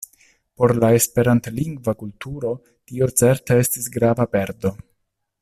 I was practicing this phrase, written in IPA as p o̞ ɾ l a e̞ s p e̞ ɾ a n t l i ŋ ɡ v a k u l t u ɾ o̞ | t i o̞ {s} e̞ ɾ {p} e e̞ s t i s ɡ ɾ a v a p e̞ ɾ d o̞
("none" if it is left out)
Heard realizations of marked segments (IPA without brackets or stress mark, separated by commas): t͡s, t